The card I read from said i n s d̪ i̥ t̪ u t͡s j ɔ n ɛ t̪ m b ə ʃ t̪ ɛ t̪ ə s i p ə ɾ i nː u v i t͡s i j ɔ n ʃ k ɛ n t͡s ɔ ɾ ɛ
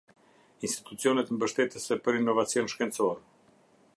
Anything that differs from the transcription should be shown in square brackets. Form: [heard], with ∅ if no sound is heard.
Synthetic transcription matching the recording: i n s [t̪] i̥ t̪ u t͡s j ɔ n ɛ t̪ m b ə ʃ t̪ ɛ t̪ ə s [ɛ] p ə ɾ i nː [ɔ] v [a] t͡s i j ɔ n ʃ k ɛ n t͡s ɔ ɾ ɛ